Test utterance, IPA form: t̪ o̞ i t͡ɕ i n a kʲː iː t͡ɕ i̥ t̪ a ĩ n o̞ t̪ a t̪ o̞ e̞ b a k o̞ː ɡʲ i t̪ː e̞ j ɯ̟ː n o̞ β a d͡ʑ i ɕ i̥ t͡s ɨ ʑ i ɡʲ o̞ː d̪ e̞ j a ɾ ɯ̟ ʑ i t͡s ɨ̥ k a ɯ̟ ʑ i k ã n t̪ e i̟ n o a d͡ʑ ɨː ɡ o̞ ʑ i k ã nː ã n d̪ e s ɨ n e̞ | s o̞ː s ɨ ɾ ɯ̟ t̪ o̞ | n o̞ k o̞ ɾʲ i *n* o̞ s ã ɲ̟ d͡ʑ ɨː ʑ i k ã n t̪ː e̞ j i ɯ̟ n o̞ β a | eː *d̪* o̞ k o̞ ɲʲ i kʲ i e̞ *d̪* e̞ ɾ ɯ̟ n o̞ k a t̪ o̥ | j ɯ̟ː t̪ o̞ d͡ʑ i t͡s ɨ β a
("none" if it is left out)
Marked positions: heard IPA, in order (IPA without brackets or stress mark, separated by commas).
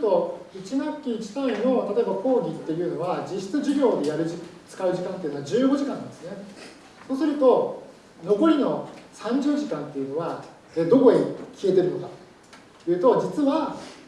n, d̪, t̪